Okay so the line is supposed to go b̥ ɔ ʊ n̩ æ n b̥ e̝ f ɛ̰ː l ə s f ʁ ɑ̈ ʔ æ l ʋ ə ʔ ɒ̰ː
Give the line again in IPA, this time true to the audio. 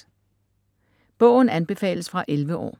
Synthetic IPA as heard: b̥ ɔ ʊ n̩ æ n b̥ e̝ f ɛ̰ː l ə s f ʁ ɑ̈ ʔ e l ʋ ə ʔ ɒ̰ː